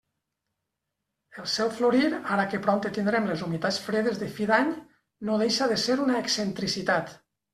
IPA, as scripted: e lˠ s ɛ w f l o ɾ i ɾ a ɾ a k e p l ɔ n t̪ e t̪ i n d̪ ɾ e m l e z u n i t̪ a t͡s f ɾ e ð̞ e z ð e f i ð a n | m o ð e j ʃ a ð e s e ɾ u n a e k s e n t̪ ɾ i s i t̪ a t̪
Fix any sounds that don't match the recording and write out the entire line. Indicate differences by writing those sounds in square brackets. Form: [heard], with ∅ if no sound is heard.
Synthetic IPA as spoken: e lˠ s ɛ w f l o ɾ i ɾ a ɾ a k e p [ɾ] ɔ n t̪ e t̪ i n d̪ ɾ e m l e z u [m] i t̪ a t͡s f ɾ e ð̞ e z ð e f i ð a [ɲ] | [n] o ð e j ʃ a ð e s e ɾ u n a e k s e n t̪ ɾ i s i t̪ a t̪